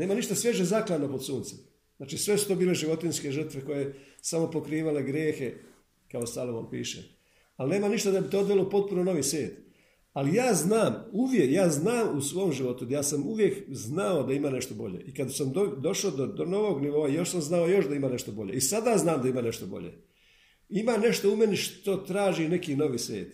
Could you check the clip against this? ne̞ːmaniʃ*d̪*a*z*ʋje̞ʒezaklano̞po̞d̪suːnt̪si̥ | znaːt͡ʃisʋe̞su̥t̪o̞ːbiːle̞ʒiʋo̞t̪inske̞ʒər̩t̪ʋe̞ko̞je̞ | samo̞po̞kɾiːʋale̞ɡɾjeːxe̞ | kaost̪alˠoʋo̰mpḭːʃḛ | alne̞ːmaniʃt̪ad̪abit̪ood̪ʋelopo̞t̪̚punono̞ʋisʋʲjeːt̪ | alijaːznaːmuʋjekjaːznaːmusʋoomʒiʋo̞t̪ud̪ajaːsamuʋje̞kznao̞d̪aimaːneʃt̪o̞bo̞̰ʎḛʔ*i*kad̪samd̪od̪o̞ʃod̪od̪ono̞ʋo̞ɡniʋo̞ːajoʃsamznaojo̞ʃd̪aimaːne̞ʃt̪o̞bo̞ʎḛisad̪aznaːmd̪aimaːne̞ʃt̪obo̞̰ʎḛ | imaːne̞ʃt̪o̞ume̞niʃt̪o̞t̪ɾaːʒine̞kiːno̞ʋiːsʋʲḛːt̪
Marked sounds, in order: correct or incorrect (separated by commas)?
incorrect, incorrect, correct